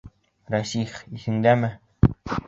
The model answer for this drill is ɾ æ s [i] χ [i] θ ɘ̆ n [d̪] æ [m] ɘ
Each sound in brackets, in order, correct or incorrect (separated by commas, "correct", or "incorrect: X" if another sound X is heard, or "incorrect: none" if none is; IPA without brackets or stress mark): correct, correct, correct, correct